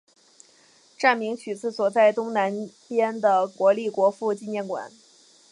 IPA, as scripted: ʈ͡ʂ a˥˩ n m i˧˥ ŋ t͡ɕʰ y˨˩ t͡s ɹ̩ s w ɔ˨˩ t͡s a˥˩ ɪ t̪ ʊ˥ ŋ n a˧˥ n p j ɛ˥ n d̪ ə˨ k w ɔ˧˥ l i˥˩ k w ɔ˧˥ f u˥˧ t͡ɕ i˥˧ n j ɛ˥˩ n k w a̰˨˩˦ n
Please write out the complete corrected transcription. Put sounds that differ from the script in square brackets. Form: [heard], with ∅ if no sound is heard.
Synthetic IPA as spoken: ʈ͡ʂ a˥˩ n m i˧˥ ŋ t͡ɕʰ y˨˩ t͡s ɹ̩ s w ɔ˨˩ t͡s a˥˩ ɪ t̪ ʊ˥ ŋ n a˧˥ n p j ɛ˥ n d̪ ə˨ k w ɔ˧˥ l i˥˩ k w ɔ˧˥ f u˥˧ t͡ɕ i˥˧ n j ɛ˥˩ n k w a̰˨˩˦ n